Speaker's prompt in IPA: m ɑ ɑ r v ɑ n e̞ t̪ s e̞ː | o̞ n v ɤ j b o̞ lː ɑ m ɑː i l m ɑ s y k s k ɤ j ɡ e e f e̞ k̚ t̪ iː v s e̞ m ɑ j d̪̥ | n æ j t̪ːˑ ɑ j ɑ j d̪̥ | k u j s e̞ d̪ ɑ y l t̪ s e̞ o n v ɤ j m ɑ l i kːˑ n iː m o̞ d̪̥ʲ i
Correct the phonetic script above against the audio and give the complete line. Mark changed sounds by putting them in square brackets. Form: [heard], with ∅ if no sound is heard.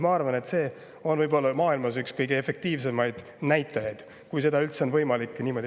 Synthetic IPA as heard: m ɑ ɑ r v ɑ n e̞ t̪ s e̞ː | o̞ n v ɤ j b o̞ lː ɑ m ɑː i l m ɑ s y k s k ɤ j ɡ e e f e̞ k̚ t̪ iː v s e̞ m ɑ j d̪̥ | n æ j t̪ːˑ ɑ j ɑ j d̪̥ | k u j s e̞ d̪ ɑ y l t̪ s e̞ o n v ɤ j m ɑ l i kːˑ n iː m o̞ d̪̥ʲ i